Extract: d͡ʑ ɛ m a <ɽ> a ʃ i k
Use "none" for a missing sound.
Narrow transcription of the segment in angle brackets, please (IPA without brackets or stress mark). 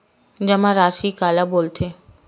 ɾ